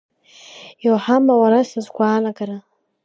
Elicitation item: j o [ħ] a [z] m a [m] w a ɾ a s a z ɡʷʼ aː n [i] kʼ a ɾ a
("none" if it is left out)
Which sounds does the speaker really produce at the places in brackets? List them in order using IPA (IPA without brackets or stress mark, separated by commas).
ħ, none, none, a